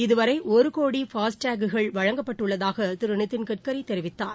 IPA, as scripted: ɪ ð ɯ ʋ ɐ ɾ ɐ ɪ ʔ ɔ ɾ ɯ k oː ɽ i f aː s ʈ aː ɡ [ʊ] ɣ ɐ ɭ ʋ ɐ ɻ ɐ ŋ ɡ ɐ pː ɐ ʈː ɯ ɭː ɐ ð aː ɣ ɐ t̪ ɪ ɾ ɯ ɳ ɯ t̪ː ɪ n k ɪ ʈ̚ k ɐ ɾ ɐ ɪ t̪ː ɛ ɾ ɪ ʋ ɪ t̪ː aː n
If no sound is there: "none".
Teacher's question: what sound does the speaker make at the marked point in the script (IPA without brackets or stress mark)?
ɯ